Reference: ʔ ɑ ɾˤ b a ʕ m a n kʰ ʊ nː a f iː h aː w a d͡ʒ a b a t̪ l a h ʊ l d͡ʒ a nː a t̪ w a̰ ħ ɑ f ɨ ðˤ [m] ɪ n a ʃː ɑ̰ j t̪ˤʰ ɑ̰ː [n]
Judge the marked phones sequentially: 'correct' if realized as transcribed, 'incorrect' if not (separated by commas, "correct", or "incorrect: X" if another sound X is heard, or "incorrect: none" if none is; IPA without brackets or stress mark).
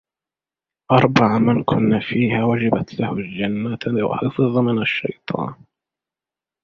correct, correct